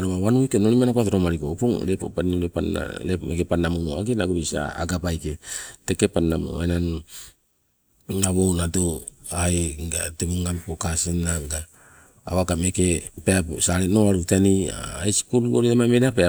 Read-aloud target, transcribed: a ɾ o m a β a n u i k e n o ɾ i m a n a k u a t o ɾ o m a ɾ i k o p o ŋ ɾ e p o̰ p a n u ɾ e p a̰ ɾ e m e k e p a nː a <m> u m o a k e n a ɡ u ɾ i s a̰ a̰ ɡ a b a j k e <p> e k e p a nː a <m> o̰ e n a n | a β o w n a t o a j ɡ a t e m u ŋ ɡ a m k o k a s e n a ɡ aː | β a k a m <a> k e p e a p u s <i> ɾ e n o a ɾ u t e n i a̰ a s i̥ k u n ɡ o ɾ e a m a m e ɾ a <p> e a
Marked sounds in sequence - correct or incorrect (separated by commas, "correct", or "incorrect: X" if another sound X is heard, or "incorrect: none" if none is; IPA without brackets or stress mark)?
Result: correct, incorrect: t, correct, incorrect: e, incorrect: a, correct